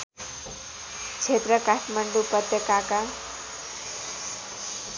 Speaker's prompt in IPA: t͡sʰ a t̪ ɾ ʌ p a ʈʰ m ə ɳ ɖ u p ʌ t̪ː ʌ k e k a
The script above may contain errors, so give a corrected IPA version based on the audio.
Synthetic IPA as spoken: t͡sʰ e t̪ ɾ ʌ k a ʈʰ m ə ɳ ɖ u p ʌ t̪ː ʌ k a k a